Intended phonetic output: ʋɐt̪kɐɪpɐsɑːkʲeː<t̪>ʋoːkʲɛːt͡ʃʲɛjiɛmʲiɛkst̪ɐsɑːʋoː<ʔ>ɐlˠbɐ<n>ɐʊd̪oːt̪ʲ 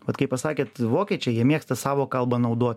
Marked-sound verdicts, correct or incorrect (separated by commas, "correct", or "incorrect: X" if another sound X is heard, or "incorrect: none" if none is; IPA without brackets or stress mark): correct, incorrect: k, correct